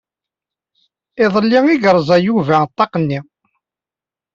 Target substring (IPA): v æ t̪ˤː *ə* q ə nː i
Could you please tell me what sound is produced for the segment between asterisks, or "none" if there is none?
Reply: ɑ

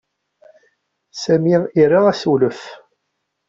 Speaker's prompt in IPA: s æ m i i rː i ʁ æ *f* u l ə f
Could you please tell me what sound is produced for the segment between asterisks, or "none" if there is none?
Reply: s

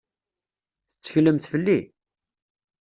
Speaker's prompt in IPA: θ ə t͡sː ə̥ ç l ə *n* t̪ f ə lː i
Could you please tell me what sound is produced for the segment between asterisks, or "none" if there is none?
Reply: m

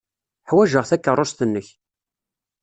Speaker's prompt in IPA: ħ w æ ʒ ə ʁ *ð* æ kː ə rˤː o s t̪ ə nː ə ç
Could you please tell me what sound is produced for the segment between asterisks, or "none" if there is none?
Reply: θ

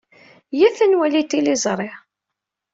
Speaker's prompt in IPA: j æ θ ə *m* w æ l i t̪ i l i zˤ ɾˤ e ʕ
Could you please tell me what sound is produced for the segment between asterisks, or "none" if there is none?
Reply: n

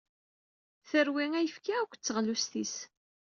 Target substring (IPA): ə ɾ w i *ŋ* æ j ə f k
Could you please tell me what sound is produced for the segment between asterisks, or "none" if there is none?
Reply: ŋ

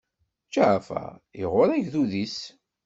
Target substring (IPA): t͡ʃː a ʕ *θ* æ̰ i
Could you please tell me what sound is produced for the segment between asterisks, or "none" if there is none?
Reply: f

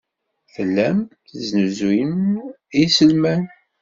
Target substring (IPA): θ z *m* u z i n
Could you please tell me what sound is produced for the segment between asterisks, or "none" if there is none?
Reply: n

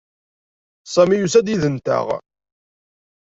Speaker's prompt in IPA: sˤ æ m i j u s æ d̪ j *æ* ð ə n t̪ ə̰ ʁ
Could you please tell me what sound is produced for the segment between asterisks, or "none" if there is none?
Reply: i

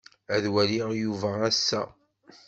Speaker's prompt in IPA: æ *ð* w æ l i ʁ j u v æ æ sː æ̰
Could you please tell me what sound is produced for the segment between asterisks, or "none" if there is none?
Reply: ð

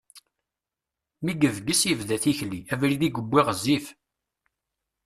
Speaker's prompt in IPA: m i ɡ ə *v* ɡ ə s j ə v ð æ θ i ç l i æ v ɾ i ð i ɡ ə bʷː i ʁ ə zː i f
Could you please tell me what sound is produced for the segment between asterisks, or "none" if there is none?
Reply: v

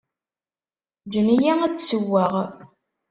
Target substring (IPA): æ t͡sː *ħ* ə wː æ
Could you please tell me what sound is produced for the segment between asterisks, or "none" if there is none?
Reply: s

